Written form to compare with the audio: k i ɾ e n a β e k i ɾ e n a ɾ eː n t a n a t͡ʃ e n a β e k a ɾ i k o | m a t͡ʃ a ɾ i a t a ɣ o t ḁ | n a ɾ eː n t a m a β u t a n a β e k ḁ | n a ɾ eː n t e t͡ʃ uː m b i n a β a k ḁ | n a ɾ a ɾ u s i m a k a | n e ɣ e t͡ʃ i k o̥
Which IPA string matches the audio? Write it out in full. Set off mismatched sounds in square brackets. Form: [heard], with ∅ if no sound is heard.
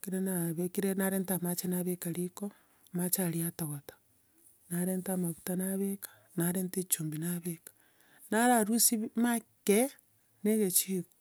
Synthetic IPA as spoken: k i ɾ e n a β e k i ɾ e n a ɾ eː n t a [m] a t͡ʃ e n a β e k a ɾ i k o | m a t͡ʃ a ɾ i a t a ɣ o t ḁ | n a ɾ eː n t a m a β u t a n a β e k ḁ | n a ɾ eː n t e t͡ʃ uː m b i n a β [e] k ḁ | n a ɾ a ɾ u s i m a k [e] | n e ɣ e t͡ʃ i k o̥